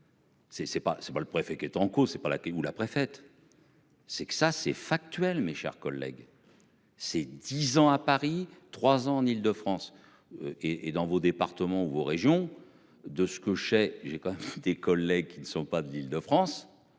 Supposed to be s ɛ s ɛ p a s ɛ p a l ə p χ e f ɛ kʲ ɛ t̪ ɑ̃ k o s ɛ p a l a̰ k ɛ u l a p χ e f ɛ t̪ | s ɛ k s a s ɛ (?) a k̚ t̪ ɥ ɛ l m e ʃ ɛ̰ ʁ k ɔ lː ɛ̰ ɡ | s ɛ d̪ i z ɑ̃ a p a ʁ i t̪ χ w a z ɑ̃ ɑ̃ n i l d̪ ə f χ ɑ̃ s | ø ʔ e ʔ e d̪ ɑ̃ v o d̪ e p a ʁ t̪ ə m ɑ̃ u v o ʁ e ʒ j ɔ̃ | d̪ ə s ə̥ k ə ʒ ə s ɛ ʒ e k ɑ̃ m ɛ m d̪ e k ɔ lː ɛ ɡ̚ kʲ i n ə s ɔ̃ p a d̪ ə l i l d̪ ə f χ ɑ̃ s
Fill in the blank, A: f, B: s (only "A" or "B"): A